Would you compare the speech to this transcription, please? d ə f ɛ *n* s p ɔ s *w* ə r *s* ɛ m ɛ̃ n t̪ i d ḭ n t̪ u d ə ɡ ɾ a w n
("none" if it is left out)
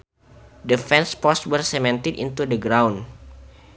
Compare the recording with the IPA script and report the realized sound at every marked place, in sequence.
n, w, s

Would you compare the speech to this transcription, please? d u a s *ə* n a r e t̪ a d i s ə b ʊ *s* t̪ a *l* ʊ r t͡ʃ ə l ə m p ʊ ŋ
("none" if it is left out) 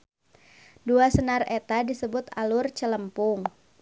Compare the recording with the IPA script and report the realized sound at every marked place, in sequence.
ə, none, l

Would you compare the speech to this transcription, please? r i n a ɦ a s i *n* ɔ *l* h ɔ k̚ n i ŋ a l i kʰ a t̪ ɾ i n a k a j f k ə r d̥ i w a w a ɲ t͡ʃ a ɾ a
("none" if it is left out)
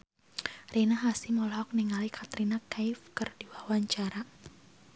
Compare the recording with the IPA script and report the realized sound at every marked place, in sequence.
m, l

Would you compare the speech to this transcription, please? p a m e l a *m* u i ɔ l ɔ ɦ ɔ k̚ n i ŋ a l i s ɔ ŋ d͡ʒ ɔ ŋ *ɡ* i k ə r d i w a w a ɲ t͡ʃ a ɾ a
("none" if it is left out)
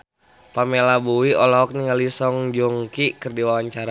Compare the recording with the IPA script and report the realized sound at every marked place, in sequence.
b, k

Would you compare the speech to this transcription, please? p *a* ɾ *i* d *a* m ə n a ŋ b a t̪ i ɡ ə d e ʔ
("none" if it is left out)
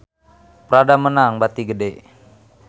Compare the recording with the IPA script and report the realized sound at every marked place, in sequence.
ə, a, a

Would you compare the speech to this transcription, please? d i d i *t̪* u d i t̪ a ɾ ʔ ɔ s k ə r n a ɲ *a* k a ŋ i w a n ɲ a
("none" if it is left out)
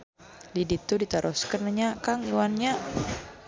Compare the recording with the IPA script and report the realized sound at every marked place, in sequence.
t̪, a

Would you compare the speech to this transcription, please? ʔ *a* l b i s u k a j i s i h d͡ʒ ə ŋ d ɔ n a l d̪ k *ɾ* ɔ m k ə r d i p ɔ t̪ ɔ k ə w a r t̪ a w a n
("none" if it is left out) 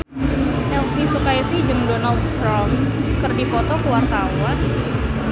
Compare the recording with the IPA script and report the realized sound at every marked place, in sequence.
ɛ, ɾ

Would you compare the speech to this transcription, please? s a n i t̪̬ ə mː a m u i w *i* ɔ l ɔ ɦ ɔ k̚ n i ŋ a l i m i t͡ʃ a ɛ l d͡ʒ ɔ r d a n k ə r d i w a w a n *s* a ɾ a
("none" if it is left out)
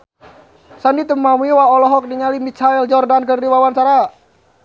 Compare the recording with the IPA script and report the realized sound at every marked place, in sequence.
a, s

